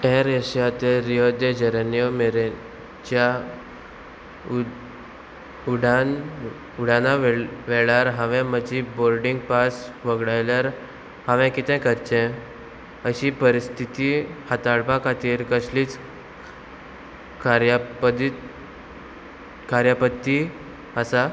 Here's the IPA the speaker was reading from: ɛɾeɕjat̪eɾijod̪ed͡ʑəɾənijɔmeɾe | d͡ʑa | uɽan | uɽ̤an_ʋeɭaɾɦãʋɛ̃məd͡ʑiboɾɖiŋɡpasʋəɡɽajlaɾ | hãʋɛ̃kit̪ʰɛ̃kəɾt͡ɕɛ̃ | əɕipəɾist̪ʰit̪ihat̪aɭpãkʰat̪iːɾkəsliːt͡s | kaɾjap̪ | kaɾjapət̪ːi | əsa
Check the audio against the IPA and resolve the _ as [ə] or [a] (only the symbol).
a